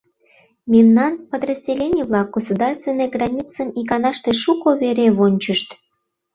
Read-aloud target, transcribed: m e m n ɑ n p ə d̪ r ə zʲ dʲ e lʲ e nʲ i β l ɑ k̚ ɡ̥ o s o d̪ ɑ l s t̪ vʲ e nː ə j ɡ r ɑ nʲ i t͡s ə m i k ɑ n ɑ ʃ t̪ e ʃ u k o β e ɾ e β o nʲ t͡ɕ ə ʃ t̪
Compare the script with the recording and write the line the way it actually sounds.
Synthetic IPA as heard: m e m n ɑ n p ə d̪ r ə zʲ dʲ e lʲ e nʲ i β l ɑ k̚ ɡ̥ o s u d̪ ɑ r s t̪ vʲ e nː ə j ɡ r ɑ nʲ i t͡s ə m i k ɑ n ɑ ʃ t̪ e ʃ u k o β e ɾ e β o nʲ t͡ɕ ə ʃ t̪